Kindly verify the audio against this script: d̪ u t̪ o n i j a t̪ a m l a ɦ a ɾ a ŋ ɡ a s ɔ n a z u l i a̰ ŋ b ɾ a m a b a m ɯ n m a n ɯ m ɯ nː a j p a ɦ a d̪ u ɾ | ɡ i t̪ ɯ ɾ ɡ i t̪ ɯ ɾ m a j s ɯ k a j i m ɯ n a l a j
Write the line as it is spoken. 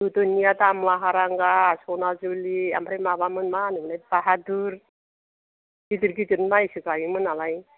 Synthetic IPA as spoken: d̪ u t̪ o n i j a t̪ a m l a ɦ a ɾ a ŋ ɡ a s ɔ n a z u l i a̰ m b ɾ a m a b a m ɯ n m a n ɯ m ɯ n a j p a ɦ a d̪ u ɾ | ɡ i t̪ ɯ ɾ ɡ i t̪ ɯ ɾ m a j s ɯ k a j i m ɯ n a l a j